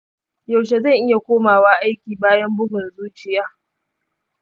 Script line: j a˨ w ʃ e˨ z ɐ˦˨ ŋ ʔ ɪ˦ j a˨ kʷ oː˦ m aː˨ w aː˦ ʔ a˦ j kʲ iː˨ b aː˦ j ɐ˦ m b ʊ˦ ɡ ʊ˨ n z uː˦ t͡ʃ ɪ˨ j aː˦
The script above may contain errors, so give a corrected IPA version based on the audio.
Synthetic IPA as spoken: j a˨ w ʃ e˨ z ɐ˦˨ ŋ ʔ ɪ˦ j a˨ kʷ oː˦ m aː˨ w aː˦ ʔ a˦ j kʲ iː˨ b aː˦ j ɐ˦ m b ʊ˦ ɡ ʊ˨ n z uː˦ t͡ʃ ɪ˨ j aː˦